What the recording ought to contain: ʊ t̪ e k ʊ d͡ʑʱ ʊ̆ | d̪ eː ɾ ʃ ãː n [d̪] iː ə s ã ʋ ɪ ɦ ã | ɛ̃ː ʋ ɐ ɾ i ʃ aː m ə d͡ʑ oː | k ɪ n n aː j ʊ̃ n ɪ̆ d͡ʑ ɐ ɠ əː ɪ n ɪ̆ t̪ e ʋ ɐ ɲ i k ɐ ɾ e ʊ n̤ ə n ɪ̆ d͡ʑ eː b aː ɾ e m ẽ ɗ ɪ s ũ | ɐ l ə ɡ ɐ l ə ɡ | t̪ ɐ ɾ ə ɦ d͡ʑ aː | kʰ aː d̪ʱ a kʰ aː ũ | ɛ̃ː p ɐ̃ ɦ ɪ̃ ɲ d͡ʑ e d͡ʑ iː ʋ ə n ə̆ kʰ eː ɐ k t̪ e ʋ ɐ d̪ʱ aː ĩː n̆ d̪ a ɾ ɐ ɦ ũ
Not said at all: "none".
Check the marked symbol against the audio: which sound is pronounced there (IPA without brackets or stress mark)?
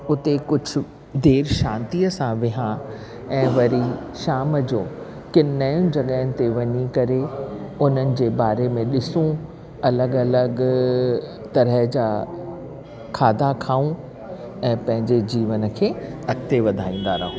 t̪